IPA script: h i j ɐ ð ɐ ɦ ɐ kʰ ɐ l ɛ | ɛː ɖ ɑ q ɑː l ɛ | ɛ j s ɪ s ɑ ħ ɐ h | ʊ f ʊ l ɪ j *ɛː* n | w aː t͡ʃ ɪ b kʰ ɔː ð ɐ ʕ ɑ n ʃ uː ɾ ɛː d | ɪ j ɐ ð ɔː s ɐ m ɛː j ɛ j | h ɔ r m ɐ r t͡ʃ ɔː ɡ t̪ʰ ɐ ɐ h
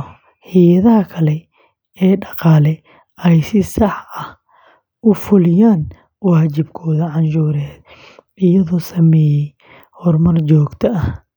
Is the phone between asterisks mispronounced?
yes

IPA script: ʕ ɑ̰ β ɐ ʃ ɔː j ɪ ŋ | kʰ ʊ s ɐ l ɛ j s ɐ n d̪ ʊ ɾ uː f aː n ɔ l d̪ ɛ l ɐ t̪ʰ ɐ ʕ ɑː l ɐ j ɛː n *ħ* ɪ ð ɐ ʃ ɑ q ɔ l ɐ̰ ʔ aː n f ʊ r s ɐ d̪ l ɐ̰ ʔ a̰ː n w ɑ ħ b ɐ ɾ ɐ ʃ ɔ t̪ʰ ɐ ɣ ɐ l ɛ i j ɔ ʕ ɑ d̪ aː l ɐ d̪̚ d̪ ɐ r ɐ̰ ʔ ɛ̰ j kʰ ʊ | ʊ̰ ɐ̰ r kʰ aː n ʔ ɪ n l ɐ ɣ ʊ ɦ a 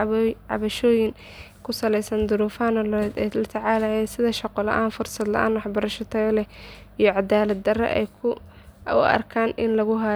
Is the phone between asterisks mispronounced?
yes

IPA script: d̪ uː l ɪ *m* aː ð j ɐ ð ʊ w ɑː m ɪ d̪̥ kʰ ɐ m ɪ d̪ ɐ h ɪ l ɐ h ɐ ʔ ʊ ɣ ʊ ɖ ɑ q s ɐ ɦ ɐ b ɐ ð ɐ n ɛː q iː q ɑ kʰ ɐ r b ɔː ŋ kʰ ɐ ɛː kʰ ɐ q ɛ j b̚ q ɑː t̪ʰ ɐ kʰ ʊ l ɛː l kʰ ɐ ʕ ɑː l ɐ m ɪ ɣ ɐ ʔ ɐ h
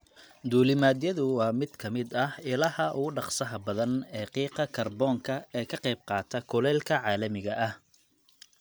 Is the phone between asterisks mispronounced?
no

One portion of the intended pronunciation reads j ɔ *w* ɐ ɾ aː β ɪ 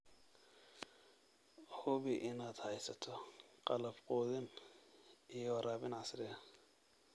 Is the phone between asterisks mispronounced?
no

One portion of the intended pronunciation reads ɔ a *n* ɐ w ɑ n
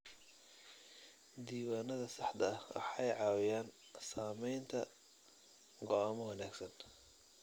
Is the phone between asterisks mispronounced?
yes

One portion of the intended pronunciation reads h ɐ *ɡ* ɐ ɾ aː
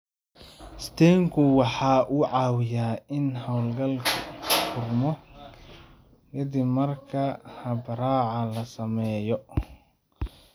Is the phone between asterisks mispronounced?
yes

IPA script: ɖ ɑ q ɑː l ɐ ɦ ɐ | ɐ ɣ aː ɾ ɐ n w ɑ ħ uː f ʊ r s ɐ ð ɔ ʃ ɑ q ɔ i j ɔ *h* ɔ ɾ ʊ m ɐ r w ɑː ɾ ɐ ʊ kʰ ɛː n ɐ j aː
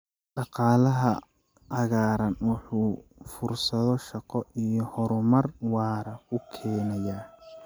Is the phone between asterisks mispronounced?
no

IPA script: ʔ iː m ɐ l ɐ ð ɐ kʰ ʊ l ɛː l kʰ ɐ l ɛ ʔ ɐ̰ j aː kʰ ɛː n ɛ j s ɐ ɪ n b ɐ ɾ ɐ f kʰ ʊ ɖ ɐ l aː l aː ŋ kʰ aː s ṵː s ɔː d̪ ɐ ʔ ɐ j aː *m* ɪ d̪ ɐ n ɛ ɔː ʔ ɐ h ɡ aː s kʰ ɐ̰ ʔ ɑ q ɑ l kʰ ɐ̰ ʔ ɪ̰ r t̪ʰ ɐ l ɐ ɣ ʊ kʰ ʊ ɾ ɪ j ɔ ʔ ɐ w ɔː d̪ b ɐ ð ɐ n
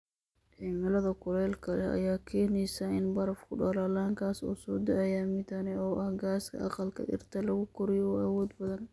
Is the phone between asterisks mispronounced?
no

